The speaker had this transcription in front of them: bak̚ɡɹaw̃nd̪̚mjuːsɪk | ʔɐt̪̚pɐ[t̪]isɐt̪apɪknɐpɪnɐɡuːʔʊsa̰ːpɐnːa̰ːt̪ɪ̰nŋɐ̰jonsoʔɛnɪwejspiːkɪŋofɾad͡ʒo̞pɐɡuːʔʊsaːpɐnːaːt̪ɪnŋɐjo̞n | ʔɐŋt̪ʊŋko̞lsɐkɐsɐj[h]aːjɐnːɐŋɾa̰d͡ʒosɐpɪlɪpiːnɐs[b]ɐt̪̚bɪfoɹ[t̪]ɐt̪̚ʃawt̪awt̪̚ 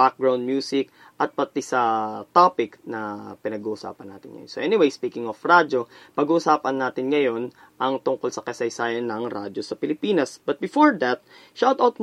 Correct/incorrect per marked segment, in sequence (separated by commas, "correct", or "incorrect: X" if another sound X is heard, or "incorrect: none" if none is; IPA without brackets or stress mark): correct, incorrect: s, correct, incorrect: d̪